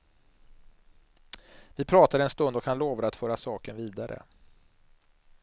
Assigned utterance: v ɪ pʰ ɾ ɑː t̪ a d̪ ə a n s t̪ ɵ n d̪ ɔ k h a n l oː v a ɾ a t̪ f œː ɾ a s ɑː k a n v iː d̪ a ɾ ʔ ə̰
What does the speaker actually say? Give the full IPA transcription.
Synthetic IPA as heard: v ɪ pʰ ɾ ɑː t̪ a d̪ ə ɛ n s t̪ ɵ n d̪ ɔ k h a n l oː v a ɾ a t̪ f œː ɾ a s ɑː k ə n v iː d̪ a ɾ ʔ ə̰